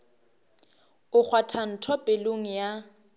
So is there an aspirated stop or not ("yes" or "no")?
yes